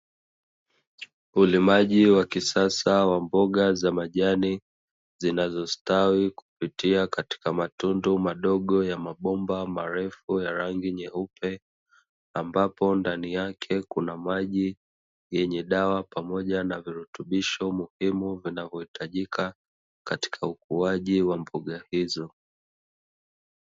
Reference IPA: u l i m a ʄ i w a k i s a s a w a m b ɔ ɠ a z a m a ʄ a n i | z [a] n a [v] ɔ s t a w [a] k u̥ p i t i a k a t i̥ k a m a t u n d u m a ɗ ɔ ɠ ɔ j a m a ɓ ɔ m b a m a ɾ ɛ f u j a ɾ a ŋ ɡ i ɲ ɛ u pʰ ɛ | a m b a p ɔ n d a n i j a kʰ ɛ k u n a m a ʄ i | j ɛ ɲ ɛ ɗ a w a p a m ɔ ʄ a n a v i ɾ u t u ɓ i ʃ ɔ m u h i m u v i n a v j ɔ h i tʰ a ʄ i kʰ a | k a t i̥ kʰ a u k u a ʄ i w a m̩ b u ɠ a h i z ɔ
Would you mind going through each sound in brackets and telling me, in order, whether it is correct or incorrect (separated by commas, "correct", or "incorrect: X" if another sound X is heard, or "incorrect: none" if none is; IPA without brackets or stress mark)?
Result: incorrect: i, incorrect: z, incorrect: i